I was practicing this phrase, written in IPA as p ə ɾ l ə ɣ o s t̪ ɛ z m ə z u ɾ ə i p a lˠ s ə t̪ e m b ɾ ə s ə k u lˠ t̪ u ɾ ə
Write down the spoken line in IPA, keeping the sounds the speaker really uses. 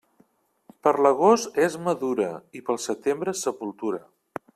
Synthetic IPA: p ə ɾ l ə ɣ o s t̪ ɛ z m ə ð u ɾ ə i p ə lˠ s ə t̪ e m b ɾ ə s ə p u lˠ t̪ u ɾ ə